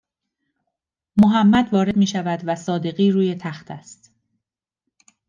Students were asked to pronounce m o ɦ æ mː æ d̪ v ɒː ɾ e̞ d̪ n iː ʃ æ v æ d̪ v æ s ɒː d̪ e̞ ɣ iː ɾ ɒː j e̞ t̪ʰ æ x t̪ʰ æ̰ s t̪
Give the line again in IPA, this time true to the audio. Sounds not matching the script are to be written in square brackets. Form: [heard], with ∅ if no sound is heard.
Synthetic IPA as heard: m o ɦ æ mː æ d̪ v ɒː ɾ e̞ d̪ [m] iː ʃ æ v æ d̪ v æ s ɒː d̪ e̞ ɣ iː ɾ [uː] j e̞ t̪ʰ æ x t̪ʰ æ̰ s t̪

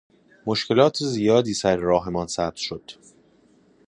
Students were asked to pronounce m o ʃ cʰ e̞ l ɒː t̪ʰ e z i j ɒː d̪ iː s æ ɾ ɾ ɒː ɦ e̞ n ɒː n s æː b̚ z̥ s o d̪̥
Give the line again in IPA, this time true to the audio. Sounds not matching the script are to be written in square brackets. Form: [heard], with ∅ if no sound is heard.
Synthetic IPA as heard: m o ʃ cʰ e̞ l ɒː t̪ʰ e z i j ɒː d̪ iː s æ ɾ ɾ ɒː ɦ e̞ [m] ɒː n s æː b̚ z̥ [ʃ] o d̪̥

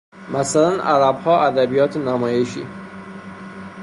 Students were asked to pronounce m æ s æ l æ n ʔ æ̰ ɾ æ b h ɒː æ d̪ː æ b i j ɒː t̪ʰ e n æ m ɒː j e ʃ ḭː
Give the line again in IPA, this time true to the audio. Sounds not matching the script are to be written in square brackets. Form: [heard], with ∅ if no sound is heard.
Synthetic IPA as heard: m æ s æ l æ n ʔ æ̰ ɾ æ b h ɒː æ [d̪] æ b i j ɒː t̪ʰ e n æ m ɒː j e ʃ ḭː

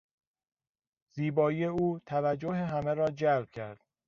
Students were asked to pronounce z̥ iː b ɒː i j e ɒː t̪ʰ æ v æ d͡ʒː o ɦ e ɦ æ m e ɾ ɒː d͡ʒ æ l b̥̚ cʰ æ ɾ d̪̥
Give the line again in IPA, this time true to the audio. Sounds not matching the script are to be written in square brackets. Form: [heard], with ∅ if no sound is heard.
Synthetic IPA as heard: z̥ iː b ɒː i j e [uː] t̪ʰ æ v æ d͡ʒː o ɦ e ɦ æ m e ɾ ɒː d͡ʒ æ l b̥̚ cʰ æ ɾ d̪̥

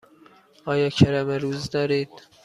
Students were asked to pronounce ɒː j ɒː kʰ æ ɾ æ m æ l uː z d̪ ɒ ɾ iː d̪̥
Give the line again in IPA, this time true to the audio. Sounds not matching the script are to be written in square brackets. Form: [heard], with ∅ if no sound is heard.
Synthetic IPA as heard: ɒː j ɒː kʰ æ ɾ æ m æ [ɾ] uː z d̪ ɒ ɾ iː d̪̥

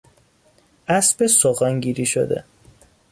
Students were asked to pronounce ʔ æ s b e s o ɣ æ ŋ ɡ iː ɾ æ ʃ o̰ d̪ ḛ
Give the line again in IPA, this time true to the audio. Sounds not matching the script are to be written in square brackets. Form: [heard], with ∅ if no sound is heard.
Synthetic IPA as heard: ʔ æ s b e s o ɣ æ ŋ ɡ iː ɾ [i] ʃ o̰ d̪ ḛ

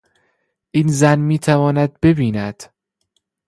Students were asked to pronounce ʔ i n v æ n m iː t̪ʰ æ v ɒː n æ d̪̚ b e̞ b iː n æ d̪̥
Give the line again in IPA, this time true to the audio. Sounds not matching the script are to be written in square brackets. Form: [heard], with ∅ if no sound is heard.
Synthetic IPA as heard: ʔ i n [z] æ n m iː t̪ʰ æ v ɒː n æ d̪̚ b e̞ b iː n æ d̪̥

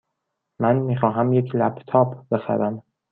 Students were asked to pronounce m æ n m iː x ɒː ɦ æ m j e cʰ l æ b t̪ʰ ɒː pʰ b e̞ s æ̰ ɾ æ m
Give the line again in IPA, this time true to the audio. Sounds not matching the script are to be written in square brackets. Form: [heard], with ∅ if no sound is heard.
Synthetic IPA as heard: m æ n m iː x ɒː ɦ æ m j e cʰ l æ b t̪ʰ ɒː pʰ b e̞ [x] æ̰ ɾ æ m

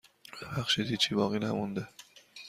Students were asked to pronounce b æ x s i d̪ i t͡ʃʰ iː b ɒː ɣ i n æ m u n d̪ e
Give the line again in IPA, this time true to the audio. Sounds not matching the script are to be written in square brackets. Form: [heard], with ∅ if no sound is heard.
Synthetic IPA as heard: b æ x [ʃ] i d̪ i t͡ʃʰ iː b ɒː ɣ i n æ m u n d̪ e

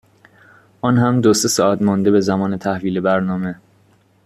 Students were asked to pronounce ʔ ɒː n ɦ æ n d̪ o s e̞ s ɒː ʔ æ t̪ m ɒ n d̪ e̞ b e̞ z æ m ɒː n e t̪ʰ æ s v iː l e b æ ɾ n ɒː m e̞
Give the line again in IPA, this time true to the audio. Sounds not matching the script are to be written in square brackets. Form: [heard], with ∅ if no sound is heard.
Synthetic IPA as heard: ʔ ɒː n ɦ æ [m] d̪ o s e̞ s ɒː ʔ æ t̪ m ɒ n d̪ e̞ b e̞ z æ m ɒː n e t̪ʰ æ [h] v iː l e b æ ɾ n ɒː m e̞

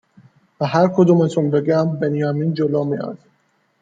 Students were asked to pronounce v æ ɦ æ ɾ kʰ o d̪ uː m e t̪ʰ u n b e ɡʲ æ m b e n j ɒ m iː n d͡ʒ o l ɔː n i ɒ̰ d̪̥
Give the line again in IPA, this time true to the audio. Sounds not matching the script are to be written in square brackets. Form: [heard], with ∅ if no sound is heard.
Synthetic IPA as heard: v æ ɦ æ ɾ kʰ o d̪ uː m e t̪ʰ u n b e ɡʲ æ m b e n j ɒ m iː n d͡ʒ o l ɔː [m] i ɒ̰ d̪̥

